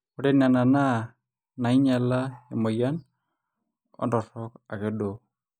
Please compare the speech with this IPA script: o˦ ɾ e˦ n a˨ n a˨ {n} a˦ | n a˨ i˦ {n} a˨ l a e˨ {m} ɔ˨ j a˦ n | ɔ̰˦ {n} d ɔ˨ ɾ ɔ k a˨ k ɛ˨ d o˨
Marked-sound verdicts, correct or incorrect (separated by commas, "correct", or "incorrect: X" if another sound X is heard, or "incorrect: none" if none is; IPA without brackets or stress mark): correct, incorrect: ɲ, correct, correct